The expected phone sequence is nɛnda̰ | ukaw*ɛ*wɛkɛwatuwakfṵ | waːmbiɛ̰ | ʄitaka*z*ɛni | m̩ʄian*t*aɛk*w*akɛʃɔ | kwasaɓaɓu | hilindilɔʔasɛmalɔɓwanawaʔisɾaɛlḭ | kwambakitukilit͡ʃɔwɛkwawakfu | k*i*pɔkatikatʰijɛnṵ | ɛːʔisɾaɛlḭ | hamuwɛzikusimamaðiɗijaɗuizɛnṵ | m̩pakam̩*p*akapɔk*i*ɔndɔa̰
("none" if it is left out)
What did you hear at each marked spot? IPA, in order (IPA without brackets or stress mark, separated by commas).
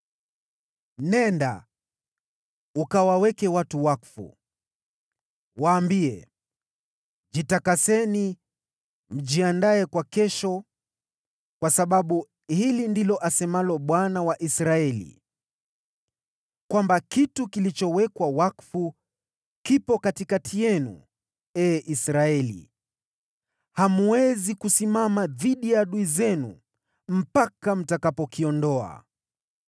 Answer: a, s, d, w, i, t, i